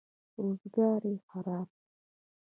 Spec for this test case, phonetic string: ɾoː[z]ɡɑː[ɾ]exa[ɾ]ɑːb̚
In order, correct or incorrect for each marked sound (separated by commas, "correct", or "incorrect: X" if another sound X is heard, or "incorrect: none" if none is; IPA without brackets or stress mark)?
correct, correct, correct